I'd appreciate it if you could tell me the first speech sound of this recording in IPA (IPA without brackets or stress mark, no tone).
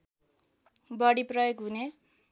b